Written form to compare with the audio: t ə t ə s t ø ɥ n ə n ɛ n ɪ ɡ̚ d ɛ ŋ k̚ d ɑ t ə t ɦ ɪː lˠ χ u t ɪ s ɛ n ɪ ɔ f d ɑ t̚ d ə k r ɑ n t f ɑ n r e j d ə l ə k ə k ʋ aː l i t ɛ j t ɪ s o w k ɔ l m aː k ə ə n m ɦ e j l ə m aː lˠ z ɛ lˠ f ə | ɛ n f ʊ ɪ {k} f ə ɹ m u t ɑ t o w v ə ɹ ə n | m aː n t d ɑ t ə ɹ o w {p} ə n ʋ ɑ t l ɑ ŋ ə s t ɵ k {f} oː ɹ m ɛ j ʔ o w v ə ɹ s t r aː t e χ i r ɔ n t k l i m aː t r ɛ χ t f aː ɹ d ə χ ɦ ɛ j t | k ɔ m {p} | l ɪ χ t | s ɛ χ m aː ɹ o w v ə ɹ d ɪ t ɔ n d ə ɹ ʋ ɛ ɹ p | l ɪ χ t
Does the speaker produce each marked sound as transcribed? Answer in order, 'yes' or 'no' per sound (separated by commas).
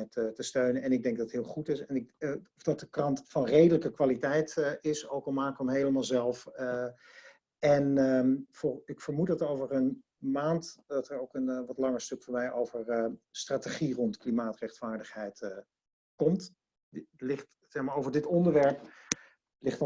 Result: yes, no, yes, no